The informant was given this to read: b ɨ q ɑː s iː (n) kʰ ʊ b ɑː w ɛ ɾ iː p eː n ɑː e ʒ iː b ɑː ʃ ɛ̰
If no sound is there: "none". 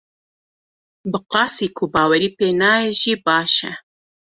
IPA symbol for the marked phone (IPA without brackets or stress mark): none